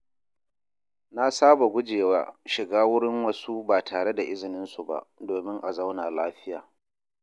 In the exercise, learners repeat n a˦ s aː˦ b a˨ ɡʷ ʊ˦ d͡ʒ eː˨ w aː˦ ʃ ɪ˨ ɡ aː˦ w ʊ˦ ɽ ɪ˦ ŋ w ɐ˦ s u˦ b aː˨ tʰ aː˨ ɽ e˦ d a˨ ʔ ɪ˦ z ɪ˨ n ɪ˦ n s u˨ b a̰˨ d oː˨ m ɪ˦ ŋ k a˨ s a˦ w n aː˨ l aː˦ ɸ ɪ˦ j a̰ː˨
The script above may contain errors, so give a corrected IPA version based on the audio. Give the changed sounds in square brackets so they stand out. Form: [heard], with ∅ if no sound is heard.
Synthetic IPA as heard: n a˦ s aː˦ b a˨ ɡʷ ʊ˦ d͡ʒ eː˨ w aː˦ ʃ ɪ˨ ɡ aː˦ w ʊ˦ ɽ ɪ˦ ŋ w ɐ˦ s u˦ b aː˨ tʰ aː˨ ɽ e˦ d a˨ ʔ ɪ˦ z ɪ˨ n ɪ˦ n s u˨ b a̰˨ d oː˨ m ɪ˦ ŋ [ʔ] a˨ [z] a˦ w n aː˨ l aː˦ ɸ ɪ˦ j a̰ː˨